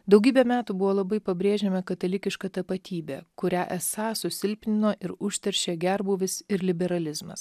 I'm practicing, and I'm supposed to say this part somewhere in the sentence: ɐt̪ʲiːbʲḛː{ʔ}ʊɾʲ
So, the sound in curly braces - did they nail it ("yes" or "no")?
no